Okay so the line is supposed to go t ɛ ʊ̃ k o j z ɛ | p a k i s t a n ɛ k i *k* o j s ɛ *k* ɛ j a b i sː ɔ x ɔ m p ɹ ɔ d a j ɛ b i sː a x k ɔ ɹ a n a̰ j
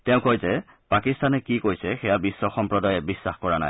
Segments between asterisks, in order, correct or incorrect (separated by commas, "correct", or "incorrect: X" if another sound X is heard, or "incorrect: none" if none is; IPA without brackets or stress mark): correct, incorrect: x